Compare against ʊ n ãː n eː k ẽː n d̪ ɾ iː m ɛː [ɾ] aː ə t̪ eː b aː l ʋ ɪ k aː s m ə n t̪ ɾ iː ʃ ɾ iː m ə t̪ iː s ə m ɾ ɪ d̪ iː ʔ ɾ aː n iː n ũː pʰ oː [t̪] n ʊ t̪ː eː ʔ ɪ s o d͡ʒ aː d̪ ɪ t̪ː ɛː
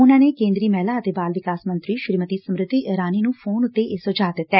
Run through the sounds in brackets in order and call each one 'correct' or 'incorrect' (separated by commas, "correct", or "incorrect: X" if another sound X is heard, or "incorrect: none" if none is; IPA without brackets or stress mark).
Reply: incorrect: l, incorrect: none